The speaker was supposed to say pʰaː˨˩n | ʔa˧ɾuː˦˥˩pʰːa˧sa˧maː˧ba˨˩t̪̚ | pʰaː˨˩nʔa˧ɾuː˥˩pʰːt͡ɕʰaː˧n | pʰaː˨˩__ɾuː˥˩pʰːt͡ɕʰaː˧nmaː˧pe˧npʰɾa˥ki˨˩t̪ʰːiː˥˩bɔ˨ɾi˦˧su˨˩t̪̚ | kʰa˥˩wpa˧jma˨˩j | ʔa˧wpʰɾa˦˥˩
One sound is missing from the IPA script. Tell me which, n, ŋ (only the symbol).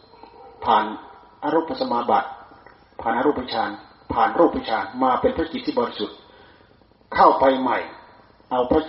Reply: n